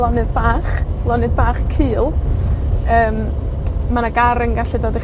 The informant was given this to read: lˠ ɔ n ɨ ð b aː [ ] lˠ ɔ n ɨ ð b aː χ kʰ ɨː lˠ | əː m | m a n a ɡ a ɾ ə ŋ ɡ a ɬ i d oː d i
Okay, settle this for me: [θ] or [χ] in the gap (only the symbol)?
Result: χ